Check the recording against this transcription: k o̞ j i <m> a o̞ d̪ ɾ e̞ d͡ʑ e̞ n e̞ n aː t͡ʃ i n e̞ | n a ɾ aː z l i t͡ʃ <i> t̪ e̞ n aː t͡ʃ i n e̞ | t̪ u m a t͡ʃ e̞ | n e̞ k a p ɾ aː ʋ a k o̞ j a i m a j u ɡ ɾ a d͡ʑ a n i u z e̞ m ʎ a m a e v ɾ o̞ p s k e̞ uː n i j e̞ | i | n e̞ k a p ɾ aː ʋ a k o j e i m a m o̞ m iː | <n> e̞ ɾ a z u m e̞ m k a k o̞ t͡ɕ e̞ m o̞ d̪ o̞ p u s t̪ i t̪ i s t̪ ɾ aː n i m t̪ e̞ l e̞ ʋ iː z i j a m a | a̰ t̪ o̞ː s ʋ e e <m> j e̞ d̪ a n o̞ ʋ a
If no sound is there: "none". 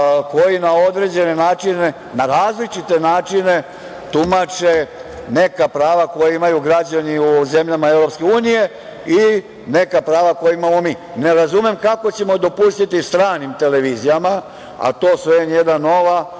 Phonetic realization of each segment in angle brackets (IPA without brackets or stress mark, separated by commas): n, i, n, n